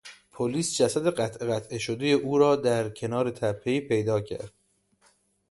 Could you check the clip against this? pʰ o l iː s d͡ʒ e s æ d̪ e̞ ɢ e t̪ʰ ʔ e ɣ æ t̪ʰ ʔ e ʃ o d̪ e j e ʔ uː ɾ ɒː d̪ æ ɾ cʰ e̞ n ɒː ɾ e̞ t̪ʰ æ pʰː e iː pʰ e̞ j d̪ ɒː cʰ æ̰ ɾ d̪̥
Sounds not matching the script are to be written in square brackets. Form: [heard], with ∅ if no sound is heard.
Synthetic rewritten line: pʰ o l iː s d͡ʒ [æ] s æ d̪ e̞ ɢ [æ] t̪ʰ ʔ e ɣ æ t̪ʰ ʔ e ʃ o d̪ e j e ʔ uː ɾ ɒː d̪ æ ɾ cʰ e̞ n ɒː ɾ e̞ t̪ʰ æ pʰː e iː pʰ e̞ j d̪ ɒː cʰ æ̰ ɾ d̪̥

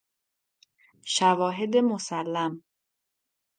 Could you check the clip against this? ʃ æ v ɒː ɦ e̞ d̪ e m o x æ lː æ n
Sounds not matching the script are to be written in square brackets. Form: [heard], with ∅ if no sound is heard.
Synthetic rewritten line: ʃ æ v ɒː ɦ e̞ d̪ e m o [s] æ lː æ [m]

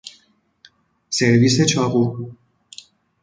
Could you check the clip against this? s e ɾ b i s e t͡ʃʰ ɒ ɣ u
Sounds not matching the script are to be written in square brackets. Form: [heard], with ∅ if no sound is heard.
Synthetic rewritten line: s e ɾ [v] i s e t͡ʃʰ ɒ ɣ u

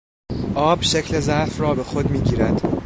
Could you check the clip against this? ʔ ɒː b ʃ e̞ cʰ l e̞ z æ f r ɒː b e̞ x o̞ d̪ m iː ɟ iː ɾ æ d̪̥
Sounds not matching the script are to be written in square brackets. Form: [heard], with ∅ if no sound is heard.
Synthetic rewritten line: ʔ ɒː b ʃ e̞ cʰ l e̞ z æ f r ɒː b e̞ x o̞ d̪ m iː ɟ iː ɾ æ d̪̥

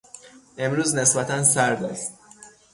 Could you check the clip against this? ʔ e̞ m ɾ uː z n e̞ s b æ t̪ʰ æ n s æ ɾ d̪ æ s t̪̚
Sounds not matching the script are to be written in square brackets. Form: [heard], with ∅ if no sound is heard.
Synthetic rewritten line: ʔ e̞ m ɾ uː z n e̞ s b æ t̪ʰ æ n s æ ɾ d̪ æ s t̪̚

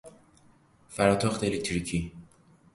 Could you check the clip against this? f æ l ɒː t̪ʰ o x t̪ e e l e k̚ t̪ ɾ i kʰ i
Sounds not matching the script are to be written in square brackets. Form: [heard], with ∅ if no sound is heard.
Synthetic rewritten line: f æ [ɾ] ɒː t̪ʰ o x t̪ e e l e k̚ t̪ ɾ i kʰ i

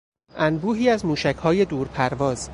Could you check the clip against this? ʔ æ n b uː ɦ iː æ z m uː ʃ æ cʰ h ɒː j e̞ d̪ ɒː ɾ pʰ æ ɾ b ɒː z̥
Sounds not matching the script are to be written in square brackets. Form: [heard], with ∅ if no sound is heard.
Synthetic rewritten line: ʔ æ n b uː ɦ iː æ z m uː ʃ æ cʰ h ɒː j e̞ d̪ [uː] ɾ pʰ æ ɾ [v] ɒː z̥

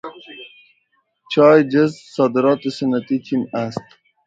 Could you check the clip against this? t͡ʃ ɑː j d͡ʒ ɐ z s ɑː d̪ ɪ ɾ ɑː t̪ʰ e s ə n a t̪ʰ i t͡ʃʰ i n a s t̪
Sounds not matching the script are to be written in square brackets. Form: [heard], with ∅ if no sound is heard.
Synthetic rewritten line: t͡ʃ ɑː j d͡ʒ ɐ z s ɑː d̪ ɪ ɾ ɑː [t̪] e s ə n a [t̪] i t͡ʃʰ i n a s t̪

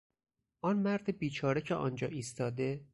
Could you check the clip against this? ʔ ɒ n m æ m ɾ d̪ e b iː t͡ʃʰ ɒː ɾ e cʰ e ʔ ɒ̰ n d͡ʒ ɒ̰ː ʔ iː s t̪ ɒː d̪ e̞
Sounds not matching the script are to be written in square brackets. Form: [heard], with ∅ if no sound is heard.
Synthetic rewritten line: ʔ ɒ n m æ [∅] ɾ d̪ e b iː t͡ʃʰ ɒː ɾ e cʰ e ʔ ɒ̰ n d͡ʒ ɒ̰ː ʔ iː s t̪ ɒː d̪ e̞

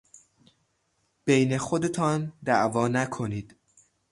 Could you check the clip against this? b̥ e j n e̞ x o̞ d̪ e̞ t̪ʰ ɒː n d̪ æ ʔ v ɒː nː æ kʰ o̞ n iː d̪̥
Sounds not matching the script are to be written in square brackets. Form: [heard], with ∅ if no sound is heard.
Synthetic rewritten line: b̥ e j n e̞ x o̞ d̪ e̞ t̪ʰ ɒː n d̪ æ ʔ v ɒː [n] æ kʰ o̞ n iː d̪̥

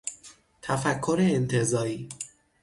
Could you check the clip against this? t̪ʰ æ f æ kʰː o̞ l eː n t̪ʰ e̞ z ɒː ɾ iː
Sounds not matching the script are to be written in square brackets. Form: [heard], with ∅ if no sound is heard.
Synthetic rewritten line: t̪ʰ æ f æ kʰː o̞ [ɾ] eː n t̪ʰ e̞ z ɒː ɾ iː

